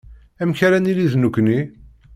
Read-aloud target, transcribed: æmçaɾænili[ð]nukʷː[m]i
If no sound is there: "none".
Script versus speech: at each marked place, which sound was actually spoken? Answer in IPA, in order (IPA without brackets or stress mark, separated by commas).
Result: ð, n